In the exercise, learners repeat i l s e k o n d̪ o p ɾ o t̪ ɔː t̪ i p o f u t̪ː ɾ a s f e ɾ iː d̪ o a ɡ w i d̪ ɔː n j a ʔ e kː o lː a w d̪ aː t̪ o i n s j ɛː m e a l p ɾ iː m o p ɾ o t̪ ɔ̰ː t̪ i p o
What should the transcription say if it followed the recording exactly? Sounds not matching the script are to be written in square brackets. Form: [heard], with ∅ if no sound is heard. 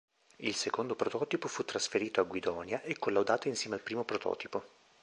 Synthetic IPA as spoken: i l s e k o n d̪ o p ɾ o t̪ ɔː t̪ i p o f u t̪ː ɾ a s f e ɾ iː [t̪] o a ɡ w i d̪ ɔː n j a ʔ e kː o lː a w d̪ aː t̪ o i n s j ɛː m e a l p ɾ iː m o p ɾ o t̪ ɔ̰ː t̪ i p o